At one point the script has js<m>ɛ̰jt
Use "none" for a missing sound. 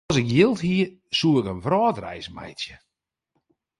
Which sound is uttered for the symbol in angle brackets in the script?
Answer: m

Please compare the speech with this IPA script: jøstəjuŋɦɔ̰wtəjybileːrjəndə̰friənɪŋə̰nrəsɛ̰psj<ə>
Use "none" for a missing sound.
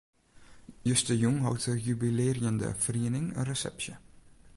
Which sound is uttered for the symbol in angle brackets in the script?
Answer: ə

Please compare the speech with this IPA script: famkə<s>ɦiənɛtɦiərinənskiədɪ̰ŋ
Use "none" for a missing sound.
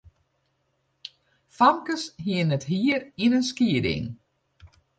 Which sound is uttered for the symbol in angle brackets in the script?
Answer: s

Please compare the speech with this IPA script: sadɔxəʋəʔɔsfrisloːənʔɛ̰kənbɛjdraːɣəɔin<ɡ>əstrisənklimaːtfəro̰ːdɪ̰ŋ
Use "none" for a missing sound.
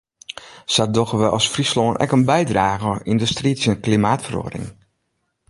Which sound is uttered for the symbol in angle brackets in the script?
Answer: d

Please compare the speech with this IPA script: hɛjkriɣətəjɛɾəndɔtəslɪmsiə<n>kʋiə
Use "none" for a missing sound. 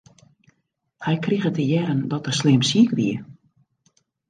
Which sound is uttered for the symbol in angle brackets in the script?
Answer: none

